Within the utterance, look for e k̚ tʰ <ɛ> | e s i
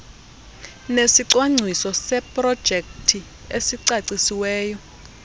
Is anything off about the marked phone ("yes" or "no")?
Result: yes